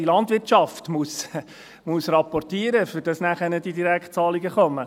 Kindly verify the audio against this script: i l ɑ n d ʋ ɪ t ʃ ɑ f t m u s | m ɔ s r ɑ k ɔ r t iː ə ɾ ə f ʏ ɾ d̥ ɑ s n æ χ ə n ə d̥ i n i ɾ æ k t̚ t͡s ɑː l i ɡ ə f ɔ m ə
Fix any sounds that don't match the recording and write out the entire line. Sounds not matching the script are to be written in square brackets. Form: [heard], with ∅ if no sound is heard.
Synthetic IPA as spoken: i l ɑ n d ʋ ɪ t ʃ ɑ f t m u s | m [u] s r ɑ [p] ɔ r t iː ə ɾ ə f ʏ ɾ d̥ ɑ s n æ χ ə n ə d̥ i [d] i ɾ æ k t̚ t͡s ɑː l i ɡ ə [χ] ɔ m ə